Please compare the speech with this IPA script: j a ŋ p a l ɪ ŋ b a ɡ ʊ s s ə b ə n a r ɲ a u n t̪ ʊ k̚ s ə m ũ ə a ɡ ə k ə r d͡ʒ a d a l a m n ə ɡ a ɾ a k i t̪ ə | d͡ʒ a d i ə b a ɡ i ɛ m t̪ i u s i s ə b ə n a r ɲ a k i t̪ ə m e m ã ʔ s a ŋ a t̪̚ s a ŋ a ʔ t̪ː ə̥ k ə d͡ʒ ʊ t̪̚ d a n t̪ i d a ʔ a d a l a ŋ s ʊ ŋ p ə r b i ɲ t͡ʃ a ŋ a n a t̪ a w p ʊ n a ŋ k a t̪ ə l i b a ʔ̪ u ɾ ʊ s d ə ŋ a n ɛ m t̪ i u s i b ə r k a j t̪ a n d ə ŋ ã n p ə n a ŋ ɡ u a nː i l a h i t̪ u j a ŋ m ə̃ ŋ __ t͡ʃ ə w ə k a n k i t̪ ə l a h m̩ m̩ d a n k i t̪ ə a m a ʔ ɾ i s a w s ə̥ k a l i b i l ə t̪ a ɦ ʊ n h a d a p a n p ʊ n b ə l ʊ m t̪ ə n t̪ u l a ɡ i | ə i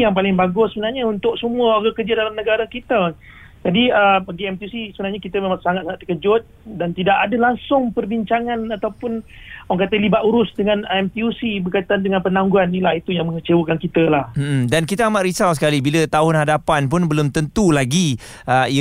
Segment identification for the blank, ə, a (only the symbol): ə